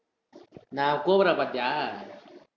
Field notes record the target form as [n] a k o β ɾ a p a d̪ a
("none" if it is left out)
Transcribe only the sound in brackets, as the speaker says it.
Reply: n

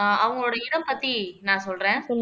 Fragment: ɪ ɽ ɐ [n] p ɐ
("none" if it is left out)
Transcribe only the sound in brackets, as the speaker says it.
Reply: m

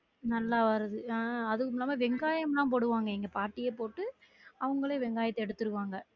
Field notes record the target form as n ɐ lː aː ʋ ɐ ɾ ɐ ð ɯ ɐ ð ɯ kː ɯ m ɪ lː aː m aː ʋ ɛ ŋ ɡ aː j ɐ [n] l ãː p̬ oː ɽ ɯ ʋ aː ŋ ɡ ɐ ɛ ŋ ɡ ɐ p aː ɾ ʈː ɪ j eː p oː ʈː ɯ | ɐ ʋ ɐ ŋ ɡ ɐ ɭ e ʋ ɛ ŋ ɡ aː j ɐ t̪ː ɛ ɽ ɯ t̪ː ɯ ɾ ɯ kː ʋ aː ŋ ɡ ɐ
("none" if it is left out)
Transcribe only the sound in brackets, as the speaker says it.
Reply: m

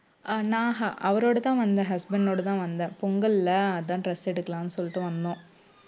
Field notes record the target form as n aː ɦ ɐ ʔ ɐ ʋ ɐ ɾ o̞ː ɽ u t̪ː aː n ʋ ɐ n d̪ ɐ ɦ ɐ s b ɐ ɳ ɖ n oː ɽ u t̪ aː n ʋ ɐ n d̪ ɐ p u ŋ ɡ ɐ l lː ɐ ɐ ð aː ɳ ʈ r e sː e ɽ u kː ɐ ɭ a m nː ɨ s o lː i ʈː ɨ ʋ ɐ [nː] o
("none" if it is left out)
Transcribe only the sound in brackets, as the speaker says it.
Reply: nː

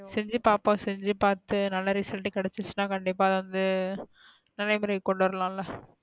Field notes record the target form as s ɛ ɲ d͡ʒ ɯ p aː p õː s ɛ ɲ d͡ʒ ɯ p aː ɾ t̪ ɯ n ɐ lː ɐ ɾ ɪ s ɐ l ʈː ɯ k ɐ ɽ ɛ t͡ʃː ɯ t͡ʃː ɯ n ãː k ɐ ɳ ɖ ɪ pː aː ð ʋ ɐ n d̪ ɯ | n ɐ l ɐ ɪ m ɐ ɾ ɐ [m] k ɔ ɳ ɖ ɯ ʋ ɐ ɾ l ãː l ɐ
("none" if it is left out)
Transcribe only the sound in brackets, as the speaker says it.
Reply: none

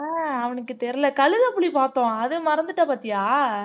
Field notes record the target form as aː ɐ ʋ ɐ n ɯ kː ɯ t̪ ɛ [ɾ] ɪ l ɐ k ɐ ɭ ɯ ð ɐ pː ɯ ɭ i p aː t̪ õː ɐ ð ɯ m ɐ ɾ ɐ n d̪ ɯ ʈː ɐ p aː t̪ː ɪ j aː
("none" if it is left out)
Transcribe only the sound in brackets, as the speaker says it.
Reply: ɾ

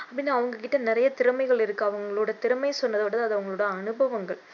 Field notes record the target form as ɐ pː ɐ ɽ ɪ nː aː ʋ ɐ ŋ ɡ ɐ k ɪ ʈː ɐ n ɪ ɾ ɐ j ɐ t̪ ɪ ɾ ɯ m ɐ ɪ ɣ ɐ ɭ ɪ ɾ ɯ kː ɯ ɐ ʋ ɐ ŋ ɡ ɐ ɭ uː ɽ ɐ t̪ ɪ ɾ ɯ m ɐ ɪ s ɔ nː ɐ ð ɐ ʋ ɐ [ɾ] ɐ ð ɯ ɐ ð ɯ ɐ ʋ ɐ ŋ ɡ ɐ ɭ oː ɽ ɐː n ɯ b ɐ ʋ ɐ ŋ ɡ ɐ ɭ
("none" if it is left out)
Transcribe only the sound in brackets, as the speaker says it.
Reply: ɽ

